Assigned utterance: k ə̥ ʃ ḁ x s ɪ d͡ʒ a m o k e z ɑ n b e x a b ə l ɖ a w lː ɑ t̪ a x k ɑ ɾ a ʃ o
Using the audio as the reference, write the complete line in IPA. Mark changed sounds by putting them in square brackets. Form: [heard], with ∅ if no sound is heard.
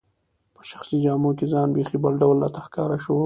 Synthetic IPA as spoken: [p] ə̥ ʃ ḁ x s [i] d͡ʒ [ɑ] m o k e z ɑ n b e x [i] b ə l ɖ a w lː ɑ t̪ a x k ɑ ɾ a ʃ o